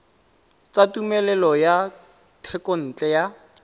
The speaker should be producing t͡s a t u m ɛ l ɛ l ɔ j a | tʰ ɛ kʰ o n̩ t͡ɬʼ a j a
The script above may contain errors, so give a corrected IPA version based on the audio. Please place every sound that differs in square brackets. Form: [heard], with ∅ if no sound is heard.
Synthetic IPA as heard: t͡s a t u m ɛ l ɛ l ɔ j a | tʰ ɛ [k] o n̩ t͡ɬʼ [ɛ] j a